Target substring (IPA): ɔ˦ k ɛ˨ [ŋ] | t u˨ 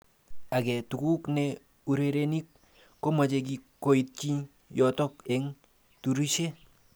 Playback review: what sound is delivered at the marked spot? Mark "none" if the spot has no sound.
ŋ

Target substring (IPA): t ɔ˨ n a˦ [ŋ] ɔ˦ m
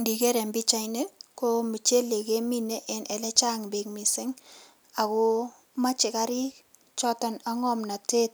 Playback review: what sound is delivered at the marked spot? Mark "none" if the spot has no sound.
ŋ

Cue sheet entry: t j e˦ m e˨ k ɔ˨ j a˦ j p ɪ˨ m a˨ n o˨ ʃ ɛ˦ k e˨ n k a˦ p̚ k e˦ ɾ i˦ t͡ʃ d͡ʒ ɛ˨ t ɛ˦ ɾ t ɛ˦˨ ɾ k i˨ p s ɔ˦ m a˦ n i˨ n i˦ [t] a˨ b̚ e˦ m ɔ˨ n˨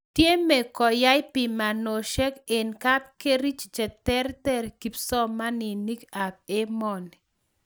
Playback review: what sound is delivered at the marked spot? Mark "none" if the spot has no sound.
k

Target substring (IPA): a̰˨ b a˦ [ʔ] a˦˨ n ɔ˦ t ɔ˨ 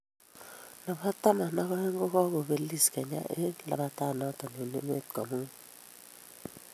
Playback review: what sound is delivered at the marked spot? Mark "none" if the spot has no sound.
t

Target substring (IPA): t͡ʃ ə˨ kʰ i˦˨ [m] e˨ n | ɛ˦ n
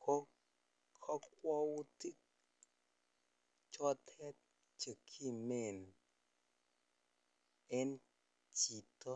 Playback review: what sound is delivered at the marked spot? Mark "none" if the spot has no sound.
m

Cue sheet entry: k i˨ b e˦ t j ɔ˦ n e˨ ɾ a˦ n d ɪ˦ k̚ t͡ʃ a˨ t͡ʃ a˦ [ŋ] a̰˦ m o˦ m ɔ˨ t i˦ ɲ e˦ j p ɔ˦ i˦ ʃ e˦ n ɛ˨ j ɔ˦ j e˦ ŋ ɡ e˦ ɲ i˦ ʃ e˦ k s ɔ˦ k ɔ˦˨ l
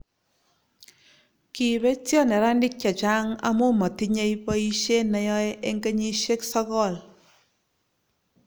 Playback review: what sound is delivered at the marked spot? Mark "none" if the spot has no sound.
ŋ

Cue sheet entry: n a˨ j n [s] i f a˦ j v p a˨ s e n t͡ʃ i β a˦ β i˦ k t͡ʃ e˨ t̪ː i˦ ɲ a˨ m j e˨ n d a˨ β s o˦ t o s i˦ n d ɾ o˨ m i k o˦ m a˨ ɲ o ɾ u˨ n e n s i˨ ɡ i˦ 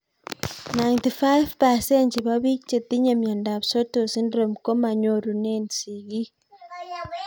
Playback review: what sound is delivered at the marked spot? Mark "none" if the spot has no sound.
t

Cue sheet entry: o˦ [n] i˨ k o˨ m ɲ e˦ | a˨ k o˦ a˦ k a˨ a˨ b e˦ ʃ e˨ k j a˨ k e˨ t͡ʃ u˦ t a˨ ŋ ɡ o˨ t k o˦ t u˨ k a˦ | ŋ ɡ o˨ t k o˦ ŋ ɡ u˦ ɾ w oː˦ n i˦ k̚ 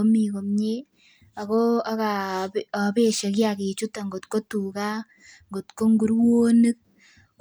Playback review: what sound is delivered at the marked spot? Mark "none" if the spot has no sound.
m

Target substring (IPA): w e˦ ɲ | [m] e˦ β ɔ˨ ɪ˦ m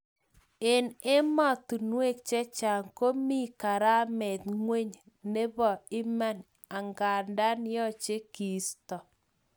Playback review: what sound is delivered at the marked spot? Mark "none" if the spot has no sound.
n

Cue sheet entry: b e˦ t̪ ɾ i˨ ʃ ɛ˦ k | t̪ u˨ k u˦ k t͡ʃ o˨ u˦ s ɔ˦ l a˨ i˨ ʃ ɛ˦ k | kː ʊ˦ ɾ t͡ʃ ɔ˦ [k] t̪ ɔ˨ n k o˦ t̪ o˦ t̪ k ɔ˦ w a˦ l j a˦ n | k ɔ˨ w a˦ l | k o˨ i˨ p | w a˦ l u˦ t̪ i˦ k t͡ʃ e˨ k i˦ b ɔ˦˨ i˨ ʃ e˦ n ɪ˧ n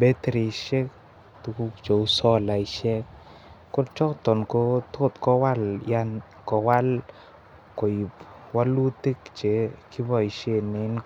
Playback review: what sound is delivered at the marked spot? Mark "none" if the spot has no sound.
k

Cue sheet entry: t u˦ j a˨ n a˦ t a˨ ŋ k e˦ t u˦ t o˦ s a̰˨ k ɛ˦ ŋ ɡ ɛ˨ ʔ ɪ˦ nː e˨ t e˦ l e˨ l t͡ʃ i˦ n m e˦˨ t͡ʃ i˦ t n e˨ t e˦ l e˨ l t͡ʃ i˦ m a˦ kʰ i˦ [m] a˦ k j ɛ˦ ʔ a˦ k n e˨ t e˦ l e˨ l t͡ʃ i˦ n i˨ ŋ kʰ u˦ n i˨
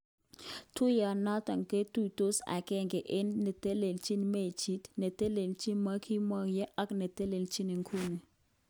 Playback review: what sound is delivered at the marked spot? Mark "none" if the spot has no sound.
m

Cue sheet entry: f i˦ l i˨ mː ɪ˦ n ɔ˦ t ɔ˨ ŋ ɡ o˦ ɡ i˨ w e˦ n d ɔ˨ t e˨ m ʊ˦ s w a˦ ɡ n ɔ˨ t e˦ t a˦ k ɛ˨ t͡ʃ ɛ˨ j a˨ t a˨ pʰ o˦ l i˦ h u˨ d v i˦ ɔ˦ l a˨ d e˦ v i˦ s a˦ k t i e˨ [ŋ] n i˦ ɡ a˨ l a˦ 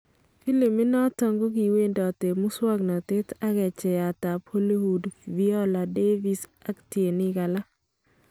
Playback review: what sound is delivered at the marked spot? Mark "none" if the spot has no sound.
none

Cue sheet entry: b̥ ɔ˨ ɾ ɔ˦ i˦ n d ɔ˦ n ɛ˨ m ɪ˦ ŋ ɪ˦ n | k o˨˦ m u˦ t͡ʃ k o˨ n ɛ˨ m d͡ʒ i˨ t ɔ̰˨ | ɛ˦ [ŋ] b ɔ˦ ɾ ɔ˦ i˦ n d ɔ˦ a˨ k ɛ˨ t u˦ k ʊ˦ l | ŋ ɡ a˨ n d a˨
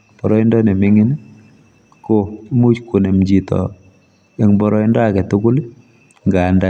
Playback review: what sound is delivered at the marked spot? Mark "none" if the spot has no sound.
ŋ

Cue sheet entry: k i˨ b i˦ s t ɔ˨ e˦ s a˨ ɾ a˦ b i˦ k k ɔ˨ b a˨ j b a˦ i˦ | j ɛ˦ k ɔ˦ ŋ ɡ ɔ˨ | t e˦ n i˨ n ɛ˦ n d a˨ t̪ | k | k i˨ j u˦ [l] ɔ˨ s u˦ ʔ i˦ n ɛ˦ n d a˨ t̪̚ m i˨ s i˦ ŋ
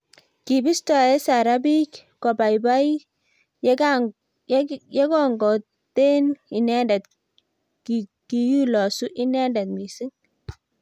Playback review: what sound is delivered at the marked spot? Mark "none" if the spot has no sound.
l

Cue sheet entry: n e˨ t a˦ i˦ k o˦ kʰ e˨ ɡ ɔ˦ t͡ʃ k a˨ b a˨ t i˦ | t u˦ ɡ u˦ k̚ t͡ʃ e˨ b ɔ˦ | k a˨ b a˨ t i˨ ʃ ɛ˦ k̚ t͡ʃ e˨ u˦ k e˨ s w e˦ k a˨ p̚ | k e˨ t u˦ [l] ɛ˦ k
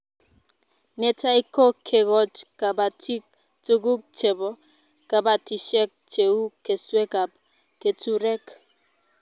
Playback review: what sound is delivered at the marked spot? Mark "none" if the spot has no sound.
ɾ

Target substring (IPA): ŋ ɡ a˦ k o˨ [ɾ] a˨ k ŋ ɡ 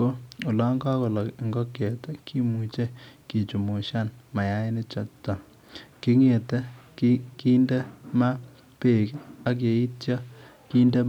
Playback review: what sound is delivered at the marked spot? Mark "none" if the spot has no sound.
l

